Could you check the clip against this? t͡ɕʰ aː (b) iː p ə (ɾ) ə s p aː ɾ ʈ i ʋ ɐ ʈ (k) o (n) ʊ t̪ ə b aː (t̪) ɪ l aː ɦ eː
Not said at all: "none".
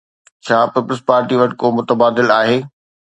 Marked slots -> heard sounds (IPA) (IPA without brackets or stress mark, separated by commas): p, l, k, m, d̪